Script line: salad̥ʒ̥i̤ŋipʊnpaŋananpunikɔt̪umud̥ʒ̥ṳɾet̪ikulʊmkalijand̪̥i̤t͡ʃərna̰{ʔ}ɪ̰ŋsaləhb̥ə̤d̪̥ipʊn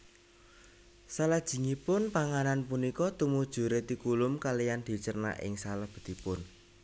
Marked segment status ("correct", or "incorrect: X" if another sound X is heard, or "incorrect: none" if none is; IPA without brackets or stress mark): correct